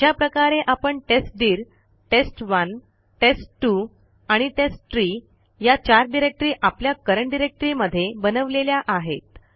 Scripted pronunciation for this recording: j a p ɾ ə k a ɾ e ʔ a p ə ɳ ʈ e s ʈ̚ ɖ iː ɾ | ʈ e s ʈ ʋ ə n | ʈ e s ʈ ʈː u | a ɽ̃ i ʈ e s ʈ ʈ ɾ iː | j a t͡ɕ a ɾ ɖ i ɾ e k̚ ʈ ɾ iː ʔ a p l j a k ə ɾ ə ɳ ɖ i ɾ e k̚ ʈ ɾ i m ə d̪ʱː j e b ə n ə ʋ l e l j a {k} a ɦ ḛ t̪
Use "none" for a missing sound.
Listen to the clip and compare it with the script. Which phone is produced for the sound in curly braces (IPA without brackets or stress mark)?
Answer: ʔ